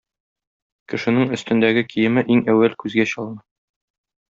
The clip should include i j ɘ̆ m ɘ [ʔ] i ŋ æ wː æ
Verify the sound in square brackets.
correct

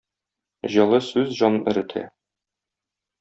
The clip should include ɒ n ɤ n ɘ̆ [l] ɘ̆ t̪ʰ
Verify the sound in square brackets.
incorrect: ɾ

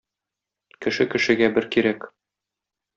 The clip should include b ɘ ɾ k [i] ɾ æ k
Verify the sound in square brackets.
correct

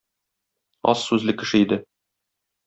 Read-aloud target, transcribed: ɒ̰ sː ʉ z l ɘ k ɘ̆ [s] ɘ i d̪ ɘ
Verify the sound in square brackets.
incorrect: ʃ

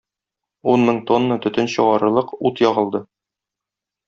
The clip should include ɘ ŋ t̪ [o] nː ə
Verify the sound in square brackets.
correct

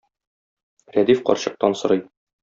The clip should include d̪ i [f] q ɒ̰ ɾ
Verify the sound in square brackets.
correct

